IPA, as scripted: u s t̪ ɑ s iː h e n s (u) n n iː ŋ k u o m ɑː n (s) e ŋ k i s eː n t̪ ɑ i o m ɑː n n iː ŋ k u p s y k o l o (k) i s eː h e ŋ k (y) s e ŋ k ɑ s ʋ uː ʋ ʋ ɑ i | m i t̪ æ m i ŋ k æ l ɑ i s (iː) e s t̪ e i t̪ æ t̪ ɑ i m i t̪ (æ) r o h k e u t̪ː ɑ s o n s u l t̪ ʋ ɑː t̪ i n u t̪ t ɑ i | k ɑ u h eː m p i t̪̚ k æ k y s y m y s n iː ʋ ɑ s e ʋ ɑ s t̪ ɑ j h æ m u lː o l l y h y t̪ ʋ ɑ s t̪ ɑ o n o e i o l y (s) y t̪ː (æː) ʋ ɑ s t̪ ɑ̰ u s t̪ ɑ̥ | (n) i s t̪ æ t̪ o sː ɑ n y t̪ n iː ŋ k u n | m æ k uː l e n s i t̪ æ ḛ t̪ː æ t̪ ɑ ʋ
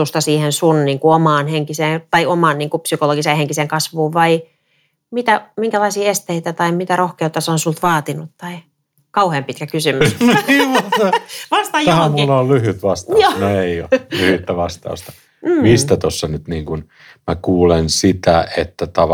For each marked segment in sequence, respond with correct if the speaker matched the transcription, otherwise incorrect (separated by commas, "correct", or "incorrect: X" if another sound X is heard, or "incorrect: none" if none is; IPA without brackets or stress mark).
correct, incorrect: h, incorrect: ɡ, incorrect: i, correct, correct, incorrect: h, incorrect: æ, incorrect: m